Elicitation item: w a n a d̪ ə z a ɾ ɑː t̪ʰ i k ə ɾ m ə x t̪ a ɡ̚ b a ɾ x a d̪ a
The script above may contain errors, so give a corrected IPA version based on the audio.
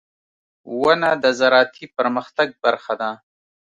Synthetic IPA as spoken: w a n a d̪ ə z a ɾ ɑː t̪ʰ i p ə ɾ m ə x t̪ a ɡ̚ b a ɾ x a d̪ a